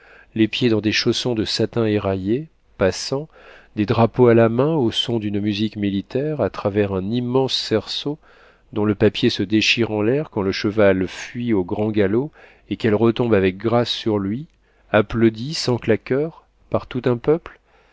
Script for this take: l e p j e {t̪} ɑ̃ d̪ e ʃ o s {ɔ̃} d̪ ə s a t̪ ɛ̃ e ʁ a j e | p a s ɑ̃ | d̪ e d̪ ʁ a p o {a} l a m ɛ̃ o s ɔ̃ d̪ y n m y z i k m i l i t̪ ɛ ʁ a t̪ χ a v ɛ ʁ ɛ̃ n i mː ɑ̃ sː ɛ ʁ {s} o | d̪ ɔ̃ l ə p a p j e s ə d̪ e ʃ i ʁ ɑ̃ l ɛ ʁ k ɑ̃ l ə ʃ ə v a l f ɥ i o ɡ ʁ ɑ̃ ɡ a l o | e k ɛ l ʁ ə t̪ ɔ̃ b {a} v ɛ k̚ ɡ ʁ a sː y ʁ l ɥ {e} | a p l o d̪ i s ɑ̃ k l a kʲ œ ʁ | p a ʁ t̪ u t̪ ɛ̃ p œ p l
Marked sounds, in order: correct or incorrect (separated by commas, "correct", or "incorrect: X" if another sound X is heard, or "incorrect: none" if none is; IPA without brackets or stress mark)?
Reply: incorrect: d̪, correct, correct, correct, correct, incorrect: i